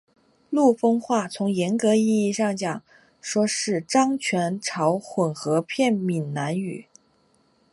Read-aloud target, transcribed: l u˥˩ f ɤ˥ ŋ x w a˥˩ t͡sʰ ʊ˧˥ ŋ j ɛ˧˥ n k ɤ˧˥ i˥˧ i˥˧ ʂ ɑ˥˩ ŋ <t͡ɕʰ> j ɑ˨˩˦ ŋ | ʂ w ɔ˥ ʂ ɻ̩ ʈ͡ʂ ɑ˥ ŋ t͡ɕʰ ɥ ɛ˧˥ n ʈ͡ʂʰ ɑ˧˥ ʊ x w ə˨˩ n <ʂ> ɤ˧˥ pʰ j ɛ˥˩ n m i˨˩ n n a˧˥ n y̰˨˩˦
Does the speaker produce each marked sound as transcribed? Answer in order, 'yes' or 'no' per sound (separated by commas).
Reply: no, no